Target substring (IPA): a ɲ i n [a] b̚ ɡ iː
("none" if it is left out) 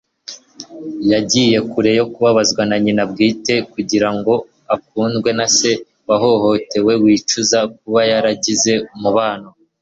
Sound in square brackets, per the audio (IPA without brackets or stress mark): a